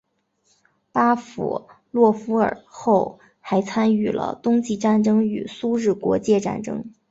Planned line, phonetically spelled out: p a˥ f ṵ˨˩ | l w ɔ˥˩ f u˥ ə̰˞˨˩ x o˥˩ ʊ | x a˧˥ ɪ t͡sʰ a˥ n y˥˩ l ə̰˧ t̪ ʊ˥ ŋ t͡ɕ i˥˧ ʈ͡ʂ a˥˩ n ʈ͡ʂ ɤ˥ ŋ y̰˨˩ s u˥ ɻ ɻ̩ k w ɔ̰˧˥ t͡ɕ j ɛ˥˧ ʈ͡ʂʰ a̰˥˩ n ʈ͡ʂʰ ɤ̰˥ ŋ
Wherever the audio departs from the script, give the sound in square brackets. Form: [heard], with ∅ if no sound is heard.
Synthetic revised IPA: p a˥ f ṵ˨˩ | l w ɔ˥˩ f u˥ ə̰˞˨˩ x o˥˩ ʊ | x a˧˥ ɪ t͡sʰ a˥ n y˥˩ l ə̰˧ t̪ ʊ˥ ŋ t͡ɕ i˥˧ ʈ͡ʂ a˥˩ n ʈ͡ʂ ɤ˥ ŋ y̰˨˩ s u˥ ɻ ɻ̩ k w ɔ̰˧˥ t͡ɕ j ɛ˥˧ [ʈ͡ʂ] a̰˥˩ n [ʈ͡ʂ] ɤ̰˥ ŋ